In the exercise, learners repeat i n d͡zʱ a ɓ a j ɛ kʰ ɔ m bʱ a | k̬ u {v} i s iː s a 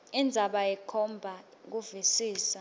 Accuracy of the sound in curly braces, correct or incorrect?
correct